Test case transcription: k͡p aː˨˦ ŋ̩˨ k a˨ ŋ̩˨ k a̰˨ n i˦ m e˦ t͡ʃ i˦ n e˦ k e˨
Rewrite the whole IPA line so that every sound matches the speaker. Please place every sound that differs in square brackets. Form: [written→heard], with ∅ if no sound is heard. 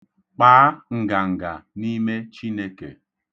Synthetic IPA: k͡p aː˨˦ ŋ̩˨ [k→ɡ] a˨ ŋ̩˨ [k→ɡ] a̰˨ n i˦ m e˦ t͡ʃ i˦ n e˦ k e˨